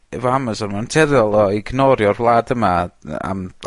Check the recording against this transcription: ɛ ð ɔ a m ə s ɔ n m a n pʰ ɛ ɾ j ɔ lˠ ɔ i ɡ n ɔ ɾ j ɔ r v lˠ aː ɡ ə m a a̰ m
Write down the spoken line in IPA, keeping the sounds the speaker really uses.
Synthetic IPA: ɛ v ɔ a m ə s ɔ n m a n tʰ ɛ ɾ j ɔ lˠ ɔ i ɡ n ɔ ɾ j ɔ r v lˠ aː d ə m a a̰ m